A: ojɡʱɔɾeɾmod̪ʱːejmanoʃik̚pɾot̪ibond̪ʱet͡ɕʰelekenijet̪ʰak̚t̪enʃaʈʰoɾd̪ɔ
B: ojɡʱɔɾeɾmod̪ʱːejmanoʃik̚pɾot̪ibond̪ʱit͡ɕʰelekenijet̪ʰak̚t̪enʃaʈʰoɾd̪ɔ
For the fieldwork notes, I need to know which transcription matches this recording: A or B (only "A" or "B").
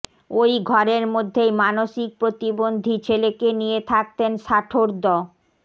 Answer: B